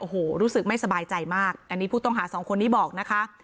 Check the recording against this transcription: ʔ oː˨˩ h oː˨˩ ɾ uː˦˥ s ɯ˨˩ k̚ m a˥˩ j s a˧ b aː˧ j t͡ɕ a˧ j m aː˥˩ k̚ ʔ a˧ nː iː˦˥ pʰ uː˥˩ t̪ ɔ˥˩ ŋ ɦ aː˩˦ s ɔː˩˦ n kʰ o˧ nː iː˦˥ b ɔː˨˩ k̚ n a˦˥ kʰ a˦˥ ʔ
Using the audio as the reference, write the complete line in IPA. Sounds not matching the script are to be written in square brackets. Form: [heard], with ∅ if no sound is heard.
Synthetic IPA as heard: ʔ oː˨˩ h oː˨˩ ɾ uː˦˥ s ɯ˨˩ k̚ m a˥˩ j s a˧ b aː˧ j t͡ɕ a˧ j m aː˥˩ k̚ ʔ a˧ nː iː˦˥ pʰ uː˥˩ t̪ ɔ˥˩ ŋ ɦ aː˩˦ s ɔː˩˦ [ŋ] kʰ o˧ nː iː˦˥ b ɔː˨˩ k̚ n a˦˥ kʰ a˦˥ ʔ